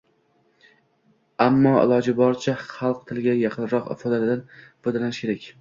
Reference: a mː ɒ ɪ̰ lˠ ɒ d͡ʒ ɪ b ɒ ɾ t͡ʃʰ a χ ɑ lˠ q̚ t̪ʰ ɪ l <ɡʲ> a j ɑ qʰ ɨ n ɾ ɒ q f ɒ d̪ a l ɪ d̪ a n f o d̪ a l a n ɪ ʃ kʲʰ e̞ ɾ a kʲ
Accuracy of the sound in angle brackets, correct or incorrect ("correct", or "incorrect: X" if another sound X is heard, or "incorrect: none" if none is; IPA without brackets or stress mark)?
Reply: correct